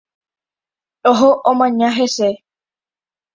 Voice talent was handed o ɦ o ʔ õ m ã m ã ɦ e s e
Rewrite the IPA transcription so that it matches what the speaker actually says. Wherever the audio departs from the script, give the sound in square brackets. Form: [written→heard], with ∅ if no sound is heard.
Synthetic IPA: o ɦ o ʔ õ m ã [m→ɲ] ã ɦ e s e

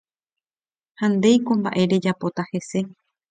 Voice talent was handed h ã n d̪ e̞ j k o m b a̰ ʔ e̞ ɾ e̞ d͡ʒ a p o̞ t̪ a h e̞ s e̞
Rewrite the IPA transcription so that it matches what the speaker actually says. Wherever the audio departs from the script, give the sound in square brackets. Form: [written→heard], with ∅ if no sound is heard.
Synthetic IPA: h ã n d̪ e̞ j k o m b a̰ ʔ e̞ ɾ e̞ d͡ʒ a p o̞ t̪ a h e̞ s e̞

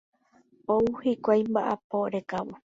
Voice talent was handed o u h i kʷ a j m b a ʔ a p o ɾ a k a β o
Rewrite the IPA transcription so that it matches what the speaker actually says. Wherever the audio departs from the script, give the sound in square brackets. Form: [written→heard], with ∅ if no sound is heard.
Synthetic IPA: o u h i kʷ a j m b a ʔ a p o ɾ [a→e] k a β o

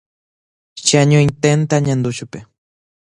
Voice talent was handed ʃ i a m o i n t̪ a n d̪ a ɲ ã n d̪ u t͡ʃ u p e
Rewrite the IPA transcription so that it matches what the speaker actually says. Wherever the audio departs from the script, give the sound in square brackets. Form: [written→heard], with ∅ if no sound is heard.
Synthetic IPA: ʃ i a [m→ɲ] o i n t̪ [a→e] n [d̪→t̪] a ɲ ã n d̪ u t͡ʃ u p e

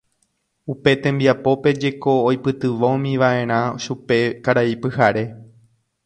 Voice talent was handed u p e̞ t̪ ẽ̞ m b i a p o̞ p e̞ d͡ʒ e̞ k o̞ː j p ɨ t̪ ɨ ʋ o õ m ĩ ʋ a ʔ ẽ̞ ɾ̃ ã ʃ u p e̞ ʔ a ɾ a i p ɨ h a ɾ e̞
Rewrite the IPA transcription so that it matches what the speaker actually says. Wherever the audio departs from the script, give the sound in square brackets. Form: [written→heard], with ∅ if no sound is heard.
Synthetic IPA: u p e̞ t̪ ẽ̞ m b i a p o̞ p e̞ d͡ʒ e̞ k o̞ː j p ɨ t̪ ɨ ʋ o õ m ĩ ʋ a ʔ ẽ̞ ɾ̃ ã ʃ u p e̞ [ʔ→k] a ɾ a i p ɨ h a ɾ e̞

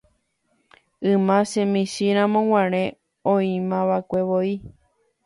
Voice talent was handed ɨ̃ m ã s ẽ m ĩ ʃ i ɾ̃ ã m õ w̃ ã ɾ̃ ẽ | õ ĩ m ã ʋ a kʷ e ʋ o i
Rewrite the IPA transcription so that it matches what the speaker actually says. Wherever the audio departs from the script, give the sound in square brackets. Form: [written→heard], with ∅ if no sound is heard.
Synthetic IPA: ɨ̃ m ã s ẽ m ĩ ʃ i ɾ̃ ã m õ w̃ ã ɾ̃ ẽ | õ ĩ m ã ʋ a kʷ e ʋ o i

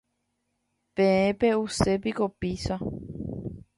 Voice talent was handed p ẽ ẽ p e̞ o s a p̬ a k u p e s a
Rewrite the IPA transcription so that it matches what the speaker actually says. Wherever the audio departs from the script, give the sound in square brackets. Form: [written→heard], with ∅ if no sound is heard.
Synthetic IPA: p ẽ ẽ p e̞ [o→u] s [a→e] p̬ [a→i] k [u→o] p [e→i] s a

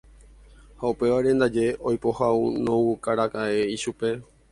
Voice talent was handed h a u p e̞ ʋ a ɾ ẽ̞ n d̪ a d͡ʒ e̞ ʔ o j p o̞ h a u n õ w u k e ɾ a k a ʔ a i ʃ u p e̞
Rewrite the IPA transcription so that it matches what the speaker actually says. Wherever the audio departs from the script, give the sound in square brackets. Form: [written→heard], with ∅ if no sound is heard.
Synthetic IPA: h a u p e̞ ʋ a ɾ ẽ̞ n d̪ a d͡ʒ e̞ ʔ o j p o̞ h a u n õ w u k [e→a] ɾ a k a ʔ [a→e] i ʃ u p e̞

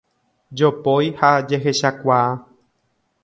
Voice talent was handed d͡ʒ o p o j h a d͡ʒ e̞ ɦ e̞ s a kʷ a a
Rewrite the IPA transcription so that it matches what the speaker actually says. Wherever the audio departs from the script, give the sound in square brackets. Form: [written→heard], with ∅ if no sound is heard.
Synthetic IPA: d͡ʒ o p o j h a d͡ʒ e̞ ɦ e̞ [s→ʃ] a kʷ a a

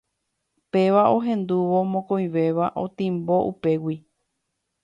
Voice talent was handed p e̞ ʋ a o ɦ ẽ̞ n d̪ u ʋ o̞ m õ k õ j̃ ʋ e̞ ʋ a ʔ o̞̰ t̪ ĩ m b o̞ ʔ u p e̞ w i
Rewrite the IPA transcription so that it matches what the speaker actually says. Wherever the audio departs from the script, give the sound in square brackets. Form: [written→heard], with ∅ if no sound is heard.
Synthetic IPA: p e̞ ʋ a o ɦ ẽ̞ n d̪ u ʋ o̞ m õ k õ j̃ ʋ e̞ ʋ a ʔ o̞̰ t̪ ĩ m b o̞ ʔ u p e̞ w i

